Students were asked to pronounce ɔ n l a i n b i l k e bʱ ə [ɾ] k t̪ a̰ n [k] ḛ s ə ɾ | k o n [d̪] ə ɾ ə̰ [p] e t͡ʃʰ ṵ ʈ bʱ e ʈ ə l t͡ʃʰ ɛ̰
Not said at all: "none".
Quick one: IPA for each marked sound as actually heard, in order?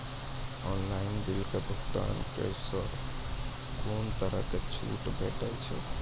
none, k, t̪, k

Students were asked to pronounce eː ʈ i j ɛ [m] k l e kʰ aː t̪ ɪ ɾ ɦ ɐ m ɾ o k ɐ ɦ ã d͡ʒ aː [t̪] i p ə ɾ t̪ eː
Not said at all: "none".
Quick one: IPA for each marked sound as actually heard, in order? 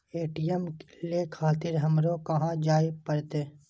m, none

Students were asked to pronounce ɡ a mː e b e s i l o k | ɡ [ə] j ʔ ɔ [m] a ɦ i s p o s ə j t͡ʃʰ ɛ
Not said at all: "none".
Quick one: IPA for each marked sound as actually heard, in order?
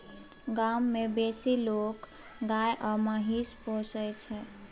a, m

